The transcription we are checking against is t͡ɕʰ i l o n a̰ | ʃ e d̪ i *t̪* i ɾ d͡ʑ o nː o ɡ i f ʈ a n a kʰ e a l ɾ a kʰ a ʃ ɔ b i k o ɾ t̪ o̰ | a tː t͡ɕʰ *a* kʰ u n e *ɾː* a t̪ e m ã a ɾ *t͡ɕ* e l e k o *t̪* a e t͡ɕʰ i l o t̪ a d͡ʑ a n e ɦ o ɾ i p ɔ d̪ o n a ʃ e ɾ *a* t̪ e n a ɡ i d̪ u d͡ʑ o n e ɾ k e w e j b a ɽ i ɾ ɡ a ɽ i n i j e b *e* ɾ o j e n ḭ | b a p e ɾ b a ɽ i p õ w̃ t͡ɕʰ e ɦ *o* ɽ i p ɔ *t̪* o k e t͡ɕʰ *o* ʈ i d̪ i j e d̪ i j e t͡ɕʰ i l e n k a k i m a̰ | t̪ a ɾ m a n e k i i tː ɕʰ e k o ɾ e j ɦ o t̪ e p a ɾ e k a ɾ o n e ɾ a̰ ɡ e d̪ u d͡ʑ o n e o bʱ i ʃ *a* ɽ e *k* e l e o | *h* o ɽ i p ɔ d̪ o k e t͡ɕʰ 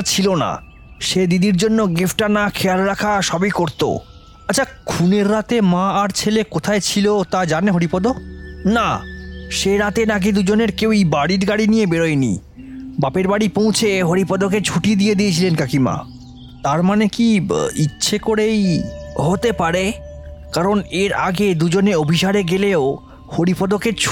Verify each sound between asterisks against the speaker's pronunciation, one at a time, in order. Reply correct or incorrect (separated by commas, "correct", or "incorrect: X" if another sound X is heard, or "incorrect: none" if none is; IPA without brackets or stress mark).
incorrect: d̪, correct, correct, incorrect: t͡ɕʰ, incorrect: t̪ʰ, correct, correct, correct, incorrect: d̪, incorrect: u, correct, incorrect: ɡ, correct